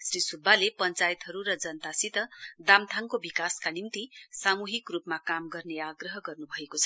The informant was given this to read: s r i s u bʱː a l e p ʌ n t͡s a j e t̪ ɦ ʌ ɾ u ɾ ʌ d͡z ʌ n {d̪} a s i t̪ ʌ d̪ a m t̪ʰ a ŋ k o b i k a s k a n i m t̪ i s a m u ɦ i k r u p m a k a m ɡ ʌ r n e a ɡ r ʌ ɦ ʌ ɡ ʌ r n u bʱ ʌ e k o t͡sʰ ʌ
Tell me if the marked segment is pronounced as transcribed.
no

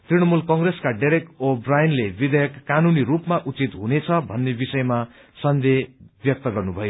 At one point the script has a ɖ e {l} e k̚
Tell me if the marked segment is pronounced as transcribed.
no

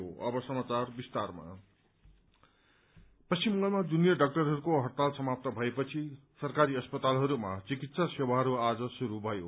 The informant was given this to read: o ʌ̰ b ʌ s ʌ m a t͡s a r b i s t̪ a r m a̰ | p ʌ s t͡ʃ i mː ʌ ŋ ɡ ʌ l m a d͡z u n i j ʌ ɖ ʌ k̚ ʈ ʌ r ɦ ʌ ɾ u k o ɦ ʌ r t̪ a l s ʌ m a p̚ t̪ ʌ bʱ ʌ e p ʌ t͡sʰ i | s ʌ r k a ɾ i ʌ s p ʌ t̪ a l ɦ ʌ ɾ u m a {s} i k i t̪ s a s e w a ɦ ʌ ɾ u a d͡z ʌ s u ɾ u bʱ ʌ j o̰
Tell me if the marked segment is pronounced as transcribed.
no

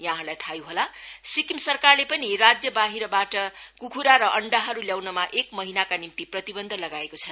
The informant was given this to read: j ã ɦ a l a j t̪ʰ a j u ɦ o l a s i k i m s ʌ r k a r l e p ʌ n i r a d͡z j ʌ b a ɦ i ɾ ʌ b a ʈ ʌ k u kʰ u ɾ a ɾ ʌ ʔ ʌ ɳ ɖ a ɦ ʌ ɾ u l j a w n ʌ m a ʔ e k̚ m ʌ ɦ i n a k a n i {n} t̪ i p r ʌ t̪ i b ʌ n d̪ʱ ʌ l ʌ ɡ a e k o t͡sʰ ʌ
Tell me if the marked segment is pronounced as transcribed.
no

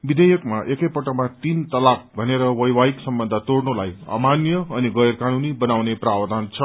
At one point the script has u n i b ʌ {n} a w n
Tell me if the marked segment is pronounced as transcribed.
yes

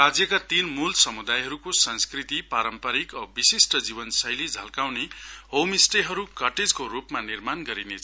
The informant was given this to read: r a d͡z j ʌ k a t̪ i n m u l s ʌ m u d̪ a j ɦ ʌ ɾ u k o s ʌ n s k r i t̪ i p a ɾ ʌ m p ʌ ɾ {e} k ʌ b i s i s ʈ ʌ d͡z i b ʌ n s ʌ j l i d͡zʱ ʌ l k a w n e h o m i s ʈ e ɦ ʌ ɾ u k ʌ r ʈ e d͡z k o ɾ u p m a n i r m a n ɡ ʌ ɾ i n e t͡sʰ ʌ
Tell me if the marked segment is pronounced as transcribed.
no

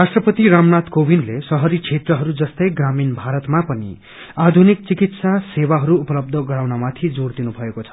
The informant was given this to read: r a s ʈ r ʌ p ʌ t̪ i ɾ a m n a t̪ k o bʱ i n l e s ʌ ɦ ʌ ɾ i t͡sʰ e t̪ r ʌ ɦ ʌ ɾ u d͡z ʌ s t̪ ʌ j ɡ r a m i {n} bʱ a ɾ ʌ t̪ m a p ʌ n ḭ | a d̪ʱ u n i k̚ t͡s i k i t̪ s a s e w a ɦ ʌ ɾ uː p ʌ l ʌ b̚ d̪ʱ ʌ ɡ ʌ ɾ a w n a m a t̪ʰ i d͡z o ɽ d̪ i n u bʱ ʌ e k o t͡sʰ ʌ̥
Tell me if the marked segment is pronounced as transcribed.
yes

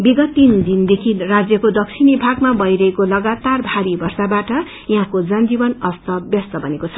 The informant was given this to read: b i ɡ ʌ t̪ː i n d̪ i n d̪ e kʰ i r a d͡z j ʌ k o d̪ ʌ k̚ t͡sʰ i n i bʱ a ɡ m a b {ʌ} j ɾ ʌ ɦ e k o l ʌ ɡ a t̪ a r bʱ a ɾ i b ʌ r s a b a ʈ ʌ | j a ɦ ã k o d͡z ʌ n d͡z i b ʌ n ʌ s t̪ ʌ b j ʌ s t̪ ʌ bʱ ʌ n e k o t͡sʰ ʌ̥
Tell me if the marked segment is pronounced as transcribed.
yes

